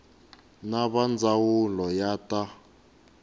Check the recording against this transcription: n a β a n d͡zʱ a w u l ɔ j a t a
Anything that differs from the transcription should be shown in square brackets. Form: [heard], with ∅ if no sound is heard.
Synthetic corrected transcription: n a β a n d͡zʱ a w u l ɔ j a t a